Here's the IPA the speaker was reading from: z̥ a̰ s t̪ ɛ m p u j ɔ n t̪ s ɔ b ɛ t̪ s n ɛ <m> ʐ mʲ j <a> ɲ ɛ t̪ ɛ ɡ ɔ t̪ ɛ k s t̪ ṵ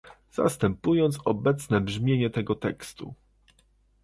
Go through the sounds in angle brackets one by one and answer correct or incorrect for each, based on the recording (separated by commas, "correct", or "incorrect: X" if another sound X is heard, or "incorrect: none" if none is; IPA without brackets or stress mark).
incorrect: b, incorrect: e